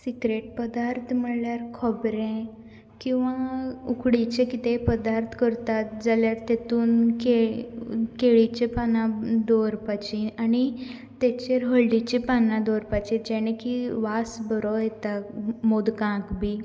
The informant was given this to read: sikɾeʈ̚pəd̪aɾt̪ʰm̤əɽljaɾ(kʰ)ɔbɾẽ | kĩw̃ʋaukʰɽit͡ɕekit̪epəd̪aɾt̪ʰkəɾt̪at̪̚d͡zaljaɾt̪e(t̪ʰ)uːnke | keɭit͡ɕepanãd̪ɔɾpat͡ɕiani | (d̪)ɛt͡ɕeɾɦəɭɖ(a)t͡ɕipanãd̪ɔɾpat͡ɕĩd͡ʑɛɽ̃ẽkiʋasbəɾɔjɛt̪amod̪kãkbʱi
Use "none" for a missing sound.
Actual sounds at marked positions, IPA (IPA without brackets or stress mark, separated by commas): kʰ, t̪, t̪, i